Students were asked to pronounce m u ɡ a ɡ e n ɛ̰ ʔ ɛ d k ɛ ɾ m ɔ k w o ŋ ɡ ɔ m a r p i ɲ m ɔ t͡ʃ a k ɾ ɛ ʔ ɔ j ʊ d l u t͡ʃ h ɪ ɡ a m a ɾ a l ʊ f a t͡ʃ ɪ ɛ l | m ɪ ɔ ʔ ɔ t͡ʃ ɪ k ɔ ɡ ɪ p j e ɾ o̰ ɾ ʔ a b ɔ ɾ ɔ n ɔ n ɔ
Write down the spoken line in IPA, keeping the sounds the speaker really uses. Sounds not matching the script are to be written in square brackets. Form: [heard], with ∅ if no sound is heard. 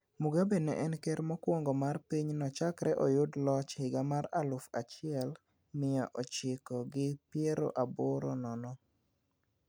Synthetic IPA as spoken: m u ɡ a [b] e n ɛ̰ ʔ ɛ [n] k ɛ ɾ m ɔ k w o ŋ ɡ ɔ m a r p i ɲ [n] ɔ t͡ʃ a k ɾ ɛ ʔ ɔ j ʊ d l [ɔ] t͡ʃ h ɪ ɡ a m a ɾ a l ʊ f a t͡ʃ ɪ ɛ l | m ɪ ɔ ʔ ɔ t͡ʃ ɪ k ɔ ɡ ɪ p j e ɾ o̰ [∅] ʔ a b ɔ ɾ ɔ n ɔ n ɔ